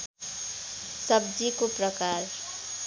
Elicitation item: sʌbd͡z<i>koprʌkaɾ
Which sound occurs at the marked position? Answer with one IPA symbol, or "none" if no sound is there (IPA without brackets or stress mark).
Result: i